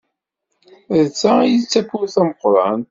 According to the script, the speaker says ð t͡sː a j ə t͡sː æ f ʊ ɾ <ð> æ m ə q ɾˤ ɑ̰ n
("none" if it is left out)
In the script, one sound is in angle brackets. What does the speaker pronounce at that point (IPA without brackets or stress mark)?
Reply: θ